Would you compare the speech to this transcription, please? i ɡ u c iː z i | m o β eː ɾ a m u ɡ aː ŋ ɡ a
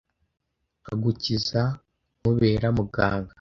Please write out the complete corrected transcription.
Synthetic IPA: a ɡ u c i z a | m u β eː ɾ a m u ɡ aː ŋ ɡ a